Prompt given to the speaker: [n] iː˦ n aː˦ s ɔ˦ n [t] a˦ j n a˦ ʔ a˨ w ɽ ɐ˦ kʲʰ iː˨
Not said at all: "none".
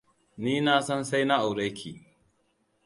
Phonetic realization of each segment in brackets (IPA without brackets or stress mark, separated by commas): n, s